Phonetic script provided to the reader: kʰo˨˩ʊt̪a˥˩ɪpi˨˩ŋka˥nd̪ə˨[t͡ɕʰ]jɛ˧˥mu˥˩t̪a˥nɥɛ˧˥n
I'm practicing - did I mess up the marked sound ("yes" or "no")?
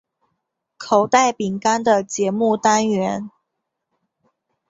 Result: yes